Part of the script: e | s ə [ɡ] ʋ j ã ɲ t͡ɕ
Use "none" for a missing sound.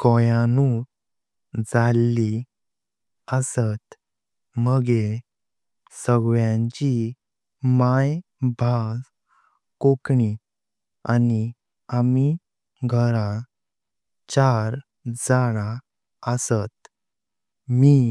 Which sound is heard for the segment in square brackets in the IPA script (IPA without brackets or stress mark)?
ɡ